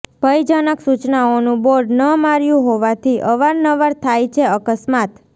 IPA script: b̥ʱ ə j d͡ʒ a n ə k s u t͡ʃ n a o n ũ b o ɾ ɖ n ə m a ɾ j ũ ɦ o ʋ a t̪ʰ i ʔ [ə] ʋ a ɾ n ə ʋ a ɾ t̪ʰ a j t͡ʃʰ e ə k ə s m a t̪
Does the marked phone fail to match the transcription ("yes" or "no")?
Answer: no